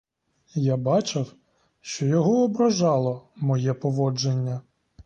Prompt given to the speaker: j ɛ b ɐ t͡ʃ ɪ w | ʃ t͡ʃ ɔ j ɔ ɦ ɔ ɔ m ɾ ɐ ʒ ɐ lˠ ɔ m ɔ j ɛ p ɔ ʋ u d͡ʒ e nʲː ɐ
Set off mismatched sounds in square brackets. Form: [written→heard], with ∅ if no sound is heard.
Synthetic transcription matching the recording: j [ɛ→a] b [ɐ→ɑ] t͡ʃ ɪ w | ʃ t͡ʃ ɔ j ɔ ɦ ɔ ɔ [m→b] ɾ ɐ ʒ [ɐ→ɑ] lˠ ɔ m ɔ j ɛ p ɔ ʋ [u→ɔ] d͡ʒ e nʲː ɐ